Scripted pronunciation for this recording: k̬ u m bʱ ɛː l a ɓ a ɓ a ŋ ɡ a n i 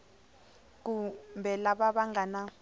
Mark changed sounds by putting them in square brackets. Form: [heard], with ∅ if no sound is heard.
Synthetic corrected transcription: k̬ u m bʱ [ɛ] l a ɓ a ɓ a ŋ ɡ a n [a]